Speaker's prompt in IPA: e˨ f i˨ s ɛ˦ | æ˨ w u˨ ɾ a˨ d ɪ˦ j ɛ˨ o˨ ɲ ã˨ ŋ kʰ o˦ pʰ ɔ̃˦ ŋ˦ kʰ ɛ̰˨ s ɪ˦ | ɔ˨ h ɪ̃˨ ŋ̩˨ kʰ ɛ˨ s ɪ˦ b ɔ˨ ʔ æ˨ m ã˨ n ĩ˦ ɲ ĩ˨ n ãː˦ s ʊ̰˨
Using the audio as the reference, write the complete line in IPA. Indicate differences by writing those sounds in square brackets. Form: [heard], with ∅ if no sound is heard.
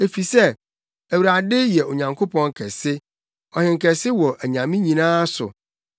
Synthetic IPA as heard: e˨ f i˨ s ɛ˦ | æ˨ w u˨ ɾ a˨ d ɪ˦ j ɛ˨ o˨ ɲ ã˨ ŋ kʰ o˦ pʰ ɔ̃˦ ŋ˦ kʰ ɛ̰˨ s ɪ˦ | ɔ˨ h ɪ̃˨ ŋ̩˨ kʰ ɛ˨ s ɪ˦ [w] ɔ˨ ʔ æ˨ [ɲ] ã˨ [m] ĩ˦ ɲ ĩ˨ n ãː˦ s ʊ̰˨